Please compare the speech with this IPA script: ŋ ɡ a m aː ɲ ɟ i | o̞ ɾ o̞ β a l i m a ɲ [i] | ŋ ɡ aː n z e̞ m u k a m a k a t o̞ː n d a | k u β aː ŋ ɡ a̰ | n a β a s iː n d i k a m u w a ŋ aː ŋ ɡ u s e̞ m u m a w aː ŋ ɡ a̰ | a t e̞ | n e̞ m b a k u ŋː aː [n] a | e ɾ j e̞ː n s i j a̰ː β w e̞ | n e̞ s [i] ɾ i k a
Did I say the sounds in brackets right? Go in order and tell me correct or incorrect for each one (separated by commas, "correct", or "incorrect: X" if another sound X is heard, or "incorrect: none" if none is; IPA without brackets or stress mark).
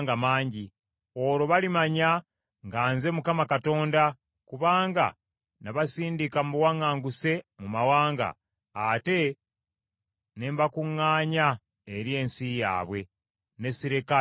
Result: incorrect: a, incorrect: ɲ, correct